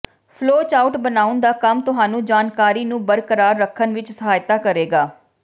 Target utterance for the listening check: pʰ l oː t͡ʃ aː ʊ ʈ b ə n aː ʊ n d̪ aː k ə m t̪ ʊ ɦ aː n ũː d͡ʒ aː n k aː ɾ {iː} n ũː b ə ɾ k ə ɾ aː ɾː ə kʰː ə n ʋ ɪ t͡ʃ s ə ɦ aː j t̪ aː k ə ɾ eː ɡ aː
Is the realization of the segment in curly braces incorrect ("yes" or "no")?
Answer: no